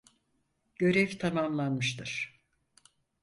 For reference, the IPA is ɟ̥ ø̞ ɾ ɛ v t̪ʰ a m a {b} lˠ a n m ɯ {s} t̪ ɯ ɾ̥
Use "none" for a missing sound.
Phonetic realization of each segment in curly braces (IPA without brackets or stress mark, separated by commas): m, ʃ